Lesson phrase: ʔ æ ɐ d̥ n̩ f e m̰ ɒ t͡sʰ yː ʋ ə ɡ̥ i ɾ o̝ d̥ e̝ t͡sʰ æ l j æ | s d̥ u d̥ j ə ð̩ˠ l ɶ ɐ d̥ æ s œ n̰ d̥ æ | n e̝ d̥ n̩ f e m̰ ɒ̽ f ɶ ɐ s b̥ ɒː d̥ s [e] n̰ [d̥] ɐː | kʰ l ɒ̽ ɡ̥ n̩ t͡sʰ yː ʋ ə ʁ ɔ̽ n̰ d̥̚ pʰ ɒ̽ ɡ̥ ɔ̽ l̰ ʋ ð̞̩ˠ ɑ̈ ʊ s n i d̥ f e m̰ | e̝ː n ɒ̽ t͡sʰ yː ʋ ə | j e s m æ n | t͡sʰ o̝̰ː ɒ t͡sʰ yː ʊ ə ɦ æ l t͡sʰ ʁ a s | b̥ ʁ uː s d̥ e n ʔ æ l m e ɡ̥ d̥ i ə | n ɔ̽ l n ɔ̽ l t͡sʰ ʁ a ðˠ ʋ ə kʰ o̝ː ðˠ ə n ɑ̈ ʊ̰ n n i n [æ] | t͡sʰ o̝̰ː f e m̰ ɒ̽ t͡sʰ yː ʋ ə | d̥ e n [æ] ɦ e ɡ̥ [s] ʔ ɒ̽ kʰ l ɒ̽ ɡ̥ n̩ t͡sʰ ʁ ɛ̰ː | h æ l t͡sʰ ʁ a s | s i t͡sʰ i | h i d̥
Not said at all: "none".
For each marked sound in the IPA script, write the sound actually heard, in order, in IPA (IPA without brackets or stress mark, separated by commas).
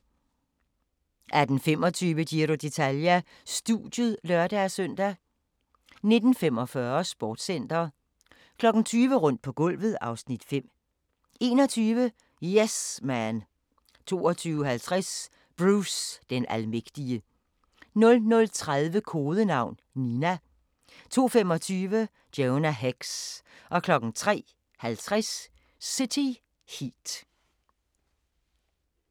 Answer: e, d̥, æ, æ, s